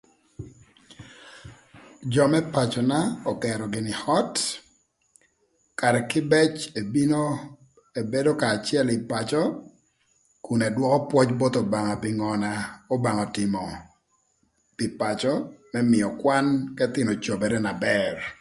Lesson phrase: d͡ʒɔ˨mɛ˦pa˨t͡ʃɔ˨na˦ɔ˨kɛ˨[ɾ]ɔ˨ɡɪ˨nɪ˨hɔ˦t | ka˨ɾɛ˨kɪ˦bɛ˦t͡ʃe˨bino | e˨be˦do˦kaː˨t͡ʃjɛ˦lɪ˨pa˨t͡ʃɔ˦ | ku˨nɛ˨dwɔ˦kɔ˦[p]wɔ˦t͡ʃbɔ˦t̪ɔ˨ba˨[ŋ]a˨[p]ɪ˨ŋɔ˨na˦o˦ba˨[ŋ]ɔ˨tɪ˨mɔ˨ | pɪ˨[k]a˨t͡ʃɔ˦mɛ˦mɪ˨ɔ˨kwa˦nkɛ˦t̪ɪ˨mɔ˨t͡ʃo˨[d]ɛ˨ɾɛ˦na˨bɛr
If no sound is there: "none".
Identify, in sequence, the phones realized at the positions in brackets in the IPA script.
ɾ, p, ŋ, p, ŋ, p, b

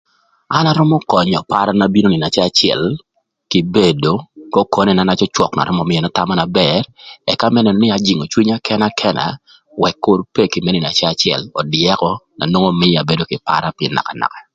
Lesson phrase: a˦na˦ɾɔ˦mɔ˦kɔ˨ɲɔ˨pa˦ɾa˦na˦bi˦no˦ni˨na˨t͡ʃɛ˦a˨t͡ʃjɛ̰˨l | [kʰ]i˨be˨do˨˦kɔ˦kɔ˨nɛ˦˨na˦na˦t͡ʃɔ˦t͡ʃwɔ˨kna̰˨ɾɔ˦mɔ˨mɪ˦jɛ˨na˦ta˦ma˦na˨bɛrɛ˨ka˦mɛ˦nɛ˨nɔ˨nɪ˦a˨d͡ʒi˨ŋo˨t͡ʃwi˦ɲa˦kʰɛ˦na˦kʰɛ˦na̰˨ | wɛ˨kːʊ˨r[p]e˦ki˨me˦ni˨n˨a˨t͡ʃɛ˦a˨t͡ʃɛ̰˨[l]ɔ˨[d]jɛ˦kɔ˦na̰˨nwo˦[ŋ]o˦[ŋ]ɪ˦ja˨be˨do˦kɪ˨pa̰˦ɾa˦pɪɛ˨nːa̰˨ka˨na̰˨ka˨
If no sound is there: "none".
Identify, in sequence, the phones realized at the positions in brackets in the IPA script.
k, p, l, d, ŋ, m

